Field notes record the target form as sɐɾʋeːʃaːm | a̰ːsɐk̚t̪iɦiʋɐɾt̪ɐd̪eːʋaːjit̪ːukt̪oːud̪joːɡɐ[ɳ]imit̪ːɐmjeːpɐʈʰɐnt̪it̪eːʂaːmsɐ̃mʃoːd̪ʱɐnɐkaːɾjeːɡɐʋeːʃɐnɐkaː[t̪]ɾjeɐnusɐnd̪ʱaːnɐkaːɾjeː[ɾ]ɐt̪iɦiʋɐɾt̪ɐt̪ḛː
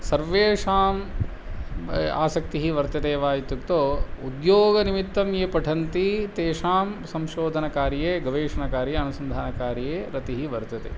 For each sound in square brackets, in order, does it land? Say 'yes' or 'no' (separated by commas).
no, no, yes